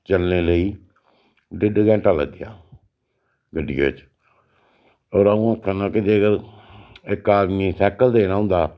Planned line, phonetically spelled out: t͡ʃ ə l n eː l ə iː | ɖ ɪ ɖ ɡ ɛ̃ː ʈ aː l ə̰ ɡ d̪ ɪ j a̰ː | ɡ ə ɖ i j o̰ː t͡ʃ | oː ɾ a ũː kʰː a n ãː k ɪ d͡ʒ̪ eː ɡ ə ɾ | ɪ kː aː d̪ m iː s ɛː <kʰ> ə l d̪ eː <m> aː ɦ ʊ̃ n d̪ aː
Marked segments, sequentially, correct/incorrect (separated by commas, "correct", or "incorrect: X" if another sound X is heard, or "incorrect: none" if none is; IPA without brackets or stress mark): incorrect: k, incorrect: n